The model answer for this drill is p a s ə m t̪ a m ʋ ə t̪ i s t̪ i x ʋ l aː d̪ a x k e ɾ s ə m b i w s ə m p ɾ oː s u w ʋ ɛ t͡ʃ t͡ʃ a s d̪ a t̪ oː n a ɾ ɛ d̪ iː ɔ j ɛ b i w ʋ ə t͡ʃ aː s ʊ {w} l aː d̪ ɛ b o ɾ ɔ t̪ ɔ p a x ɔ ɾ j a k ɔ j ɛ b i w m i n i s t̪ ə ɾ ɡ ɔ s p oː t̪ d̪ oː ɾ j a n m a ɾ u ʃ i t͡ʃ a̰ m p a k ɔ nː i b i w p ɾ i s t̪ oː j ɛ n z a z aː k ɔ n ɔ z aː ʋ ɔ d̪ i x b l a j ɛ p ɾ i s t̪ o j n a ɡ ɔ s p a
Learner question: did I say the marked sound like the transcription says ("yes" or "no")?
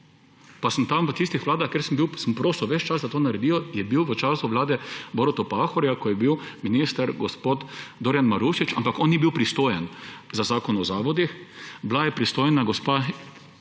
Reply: no